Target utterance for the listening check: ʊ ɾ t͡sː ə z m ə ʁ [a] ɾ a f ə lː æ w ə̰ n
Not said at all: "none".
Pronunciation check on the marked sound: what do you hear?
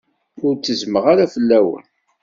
a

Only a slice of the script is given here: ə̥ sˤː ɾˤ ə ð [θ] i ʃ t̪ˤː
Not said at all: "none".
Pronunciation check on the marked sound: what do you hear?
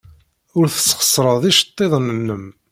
ð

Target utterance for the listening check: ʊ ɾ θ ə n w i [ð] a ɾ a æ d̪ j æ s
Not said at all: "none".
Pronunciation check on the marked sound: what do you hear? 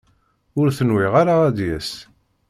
ʁ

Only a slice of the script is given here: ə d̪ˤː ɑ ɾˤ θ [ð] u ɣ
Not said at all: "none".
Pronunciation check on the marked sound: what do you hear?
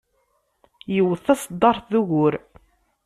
ð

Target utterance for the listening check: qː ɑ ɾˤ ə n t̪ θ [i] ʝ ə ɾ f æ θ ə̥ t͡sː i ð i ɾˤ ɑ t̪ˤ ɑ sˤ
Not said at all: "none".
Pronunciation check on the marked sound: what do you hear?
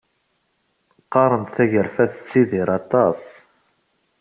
æ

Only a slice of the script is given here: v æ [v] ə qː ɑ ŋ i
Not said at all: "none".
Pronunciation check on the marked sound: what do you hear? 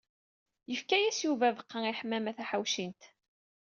v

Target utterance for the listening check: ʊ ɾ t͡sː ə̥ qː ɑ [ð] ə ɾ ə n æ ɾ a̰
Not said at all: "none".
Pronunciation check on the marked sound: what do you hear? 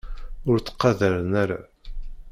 ð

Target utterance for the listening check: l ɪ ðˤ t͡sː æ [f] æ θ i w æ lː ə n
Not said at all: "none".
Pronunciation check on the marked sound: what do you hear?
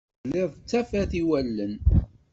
f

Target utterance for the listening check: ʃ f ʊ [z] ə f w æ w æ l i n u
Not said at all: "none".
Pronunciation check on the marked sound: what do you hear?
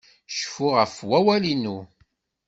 ʁ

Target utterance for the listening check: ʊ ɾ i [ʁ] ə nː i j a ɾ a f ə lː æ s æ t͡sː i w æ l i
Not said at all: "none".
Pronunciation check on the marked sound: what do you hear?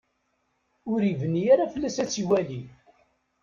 v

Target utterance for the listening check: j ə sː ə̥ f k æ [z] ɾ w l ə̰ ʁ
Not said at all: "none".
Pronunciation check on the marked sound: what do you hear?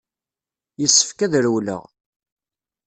ð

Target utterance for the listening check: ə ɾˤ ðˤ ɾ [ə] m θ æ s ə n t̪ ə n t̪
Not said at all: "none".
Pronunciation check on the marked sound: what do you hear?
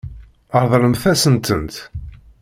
ə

